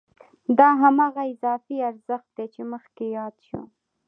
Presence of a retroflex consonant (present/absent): absent